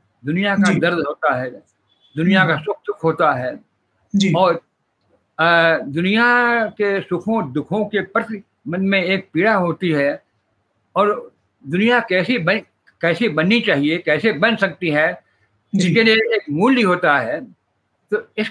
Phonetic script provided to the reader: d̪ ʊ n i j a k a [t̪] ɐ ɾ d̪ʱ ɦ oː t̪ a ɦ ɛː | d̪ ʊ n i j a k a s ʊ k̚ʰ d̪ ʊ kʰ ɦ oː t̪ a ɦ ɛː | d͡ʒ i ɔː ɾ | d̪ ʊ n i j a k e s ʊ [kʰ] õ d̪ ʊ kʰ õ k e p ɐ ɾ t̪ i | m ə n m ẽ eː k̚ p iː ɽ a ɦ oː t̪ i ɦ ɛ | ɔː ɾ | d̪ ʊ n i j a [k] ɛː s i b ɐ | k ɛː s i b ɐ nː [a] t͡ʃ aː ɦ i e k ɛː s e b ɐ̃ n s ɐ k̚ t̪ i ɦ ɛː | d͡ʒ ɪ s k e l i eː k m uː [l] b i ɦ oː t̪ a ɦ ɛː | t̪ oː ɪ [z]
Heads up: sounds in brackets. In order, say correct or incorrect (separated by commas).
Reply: incorrect, correct, correct, incorrect, correct, incorrect